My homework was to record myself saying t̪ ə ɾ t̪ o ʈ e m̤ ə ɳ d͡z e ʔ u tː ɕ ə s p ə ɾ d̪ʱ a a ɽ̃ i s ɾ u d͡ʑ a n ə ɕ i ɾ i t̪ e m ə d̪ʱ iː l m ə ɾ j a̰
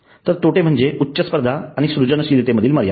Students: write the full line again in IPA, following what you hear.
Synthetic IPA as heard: t̪ ə ɾ t̪ o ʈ e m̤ ə ɳ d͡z e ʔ u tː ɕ ə s p ə ɾ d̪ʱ a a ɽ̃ i s ɾ u d͡ʑ ə n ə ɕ i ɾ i t̪ e m ə d̪ʱ iː l m ə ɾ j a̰